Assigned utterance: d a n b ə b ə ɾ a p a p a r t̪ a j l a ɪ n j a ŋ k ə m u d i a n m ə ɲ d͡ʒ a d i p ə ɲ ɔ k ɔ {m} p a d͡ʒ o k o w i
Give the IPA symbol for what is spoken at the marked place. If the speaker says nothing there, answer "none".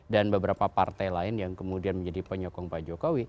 ŋ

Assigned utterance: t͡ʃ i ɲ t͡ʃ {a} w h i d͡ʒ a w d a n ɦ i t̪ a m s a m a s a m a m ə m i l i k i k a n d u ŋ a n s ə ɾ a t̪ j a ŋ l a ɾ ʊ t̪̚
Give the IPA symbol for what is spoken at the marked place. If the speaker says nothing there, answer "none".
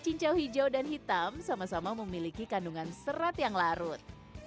a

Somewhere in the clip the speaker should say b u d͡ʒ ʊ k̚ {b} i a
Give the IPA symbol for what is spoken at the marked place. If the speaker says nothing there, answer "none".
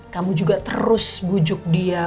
d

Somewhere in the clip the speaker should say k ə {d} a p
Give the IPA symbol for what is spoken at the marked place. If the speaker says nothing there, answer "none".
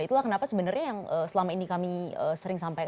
n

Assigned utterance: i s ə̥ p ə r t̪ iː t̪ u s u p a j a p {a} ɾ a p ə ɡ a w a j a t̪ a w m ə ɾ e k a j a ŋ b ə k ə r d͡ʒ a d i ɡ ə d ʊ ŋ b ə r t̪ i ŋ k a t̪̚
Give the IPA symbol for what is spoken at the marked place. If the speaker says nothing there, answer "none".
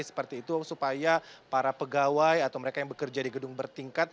a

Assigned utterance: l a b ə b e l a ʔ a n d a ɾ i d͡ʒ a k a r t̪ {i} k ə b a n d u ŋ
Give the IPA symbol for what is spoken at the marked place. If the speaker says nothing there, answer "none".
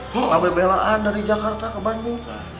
a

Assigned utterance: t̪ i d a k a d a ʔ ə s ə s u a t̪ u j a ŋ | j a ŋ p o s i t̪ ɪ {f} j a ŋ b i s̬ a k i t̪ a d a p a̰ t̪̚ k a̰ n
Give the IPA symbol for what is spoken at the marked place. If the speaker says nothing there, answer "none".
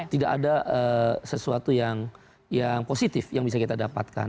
f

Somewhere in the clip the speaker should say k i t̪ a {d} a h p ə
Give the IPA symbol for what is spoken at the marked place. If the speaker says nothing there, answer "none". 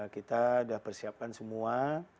d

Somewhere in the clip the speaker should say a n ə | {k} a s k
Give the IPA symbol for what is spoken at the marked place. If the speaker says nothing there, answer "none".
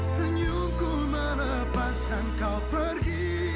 p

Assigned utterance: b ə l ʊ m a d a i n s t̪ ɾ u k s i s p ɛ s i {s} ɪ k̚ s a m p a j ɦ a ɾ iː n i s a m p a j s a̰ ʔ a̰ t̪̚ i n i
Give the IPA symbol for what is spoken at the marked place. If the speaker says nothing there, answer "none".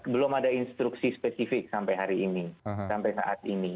f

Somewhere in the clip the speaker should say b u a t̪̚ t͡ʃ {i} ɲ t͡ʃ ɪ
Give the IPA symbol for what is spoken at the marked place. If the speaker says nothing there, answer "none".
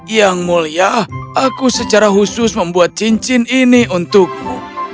i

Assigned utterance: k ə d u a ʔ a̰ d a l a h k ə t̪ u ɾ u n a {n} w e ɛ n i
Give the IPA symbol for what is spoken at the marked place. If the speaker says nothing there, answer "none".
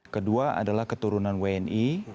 n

